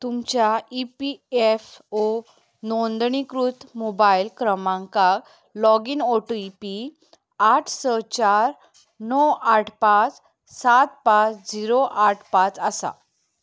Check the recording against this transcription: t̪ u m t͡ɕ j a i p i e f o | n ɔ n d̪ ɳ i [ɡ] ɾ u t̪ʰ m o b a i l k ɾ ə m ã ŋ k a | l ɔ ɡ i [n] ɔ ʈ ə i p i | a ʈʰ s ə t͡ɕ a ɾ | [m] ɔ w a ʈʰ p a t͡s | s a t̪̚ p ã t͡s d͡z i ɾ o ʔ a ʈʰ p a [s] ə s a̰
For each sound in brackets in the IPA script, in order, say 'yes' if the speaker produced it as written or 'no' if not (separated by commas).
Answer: no, yes, no, no